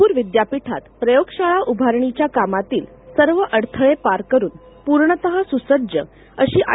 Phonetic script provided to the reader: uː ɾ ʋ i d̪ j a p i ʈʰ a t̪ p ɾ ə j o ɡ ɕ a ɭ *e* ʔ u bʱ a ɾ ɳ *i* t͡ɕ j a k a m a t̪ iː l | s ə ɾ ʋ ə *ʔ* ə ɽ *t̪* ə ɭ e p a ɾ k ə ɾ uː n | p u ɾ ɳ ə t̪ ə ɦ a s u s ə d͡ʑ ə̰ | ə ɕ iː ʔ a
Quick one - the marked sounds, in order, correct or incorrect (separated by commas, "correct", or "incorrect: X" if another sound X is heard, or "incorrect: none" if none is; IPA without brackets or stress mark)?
incorrect: a, correct, correct, incorrect: t̪ʰ